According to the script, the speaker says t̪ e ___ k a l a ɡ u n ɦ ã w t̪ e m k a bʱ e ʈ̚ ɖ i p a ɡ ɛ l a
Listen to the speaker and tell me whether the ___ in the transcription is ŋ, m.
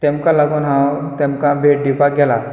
m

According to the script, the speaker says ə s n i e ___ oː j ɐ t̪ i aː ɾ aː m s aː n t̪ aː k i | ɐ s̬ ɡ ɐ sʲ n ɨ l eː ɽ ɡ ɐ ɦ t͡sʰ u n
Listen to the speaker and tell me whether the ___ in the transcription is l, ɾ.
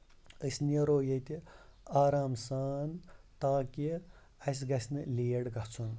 ɾ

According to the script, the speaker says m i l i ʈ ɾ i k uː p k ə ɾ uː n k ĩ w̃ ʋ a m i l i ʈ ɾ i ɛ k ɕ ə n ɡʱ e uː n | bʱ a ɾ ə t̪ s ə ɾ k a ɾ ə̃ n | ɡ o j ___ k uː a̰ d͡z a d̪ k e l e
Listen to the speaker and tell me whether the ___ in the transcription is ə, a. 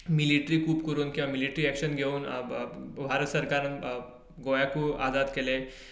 a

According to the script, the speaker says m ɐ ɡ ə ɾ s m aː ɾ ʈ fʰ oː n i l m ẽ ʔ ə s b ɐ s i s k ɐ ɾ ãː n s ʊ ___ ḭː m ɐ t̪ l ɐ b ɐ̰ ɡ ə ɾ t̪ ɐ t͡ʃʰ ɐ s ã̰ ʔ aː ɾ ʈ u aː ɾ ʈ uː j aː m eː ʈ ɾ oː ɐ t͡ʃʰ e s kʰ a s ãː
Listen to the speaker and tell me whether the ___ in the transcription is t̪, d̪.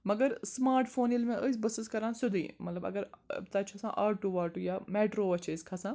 d̪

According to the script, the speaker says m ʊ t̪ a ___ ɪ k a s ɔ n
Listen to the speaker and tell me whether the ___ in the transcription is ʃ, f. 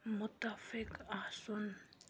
f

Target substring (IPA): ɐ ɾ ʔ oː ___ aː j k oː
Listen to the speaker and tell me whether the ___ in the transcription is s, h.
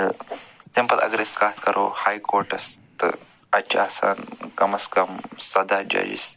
h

